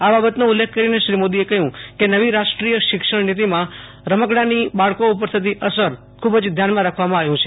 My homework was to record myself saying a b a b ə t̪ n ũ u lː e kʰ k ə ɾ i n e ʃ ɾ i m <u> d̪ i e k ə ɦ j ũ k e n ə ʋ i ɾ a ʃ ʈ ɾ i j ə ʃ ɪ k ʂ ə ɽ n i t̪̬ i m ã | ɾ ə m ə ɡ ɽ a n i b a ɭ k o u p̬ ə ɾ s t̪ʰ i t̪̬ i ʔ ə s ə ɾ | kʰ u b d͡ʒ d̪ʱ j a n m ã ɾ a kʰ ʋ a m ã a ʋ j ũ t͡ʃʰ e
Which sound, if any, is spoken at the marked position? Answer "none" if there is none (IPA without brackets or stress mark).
o